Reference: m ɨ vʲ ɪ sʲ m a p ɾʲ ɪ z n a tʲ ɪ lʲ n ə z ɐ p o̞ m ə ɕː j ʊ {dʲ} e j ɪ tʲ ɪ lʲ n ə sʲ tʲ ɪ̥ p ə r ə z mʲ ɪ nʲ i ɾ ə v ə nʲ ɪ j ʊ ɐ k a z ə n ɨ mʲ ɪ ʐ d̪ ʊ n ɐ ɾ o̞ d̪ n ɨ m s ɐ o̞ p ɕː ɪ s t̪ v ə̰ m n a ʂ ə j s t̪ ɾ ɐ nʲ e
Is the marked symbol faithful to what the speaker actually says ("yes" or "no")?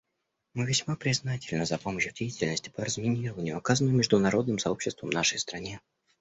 yes